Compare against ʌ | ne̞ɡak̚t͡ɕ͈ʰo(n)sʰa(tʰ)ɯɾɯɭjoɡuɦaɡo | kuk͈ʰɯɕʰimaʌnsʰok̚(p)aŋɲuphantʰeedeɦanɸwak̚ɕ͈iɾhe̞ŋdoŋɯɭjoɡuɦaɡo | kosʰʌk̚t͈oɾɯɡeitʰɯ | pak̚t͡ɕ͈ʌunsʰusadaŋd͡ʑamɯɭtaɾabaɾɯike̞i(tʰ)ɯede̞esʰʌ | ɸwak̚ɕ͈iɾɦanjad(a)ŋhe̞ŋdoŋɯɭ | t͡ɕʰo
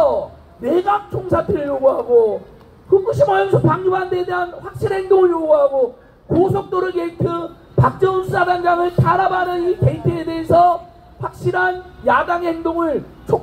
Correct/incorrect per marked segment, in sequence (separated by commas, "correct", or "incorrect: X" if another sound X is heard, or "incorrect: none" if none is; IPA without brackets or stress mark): incorrect: ŋ, correct, correct, correct, correct